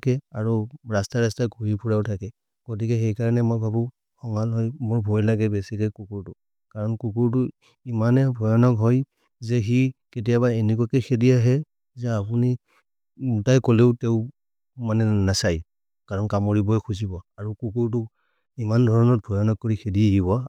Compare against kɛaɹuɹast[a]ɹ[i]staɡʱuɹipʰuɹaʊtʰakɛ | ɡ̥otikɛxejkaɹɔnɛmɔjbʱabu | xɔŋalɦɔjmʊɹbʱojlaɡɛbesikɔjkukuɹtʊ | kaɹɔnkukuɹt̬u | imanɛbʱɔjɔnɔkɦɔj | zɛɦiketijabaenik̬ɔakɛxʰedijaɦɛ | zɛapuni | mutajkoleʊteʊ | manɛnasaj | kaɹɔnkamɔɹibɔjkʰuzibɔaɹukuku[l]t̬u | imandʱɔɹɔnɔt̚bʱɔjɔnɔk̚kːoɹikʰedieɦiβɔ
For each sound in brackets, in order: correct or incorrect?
correct, incorrect, incorrect

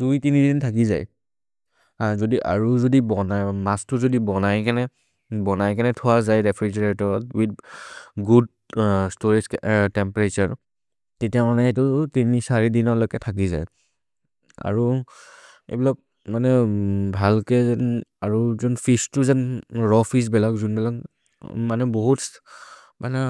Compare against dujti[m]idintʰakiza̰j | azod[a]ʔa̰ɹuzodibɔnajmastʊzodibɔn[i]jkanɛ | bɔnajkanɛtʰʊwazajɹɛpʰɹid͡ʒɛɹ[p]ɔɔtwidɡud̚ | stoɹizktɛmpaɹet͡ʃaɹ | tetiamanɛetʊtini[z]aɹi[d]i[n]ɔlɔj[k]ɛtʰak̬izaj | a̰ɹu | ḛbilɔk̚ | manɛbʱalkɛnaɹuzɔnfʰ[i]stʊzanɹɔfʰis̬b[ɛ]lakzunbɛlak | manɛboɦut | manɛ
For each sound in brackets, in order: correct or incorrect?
incorrect, incorrect, incorrect, incorrect, incorrect, correct, correct, correct, correct, correct

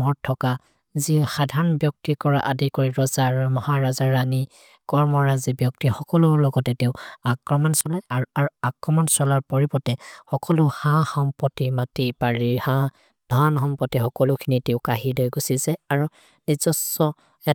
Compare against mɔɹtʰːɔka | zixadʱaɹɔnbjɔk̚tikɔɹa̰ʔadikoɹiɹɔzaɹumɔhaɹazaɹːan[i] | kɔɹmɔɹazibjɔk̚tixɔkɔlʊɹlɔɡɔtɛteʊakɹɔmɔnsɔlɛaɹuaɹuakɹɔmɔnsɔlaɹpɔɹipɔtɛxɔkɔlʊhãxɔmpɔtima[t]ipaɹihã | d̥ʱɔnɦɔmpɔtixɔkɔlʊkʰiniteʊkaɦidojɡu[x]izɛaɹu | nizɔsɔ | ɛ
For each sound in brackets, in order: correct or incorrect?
correct, correct, incorrect

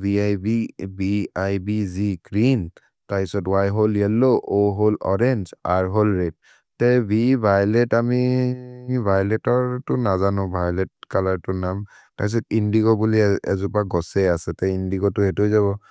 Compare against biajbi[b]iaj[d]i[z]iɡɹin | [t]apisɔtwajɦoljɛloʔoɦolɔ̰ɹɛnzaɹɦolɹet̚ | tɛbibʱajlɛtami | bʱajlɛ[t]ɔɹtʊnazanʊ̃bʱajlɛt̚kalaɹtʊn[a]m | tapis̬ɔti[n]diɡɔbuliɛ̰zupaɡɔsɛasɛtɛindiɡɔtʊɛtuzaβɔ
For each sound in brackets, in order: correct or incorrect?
correct, incorrect, correct, correct, correct, correct, correct

